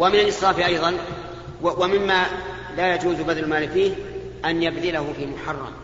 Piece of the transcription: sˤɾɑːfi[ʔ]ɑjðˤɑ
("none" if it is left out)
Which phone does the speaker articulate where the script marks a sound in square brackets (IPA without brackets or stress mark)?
ʔ